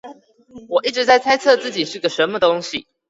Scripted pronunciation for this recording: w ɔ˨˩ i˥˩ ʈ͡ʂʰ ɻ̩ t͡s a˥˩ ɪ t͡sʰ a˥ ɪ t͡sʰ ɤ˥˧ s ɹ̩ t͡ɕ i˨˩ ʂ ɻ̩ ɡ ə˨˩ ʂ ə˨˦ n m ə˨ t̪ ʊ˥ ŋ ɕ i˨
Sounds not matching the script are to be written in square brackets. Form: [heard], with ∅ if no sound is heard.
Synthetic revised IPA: w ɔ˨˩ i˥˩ [ʈ͡ʂ] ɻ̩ t͡s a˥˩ ɪ t͡sʰ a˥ ɪ t͡sʰ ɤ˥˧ [t͡s] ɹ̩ t͡ɕ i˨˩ ʂ ɻ̩ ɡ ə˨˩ ʂ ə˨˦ n m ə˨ t̪ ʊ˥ ŋ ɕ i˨